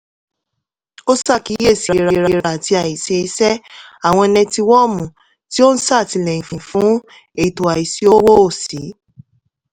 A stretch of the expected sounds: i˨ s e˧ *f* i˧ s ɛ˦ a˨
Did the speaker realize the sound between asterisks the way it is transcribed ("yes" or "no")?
no